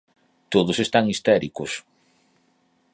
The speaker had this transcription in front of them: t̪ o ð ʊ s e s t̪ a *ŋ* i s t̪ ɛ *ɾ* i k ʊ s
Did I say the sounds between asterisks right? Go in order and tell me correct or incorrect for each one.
correct, correct

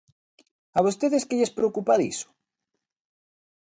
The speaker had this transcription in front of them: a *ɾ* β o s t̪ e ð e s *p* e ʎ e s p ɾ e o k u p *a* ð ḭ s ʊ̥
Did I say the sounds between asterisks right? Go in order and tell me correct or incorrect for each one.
incorrect: none, incorrect: k, correct

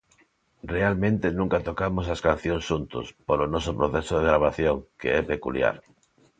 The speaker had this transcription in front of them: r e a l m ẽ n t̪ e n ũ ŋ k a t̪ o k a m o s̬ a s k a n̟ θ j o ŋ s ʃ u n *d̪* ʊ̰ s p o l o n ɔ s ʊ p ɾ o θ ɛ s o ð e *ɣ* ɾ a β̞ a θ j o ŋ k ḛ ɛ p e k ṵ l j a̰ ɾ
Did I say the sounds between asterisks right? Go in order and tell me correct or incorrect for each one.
incorrect: t̪, correct

